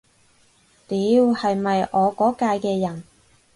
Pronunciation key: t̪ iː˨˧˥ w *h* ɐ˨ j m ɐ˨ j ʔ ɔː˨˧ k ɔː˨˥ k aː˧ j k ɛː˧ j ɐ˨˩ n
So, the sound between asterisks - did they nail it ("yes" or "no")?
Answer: yes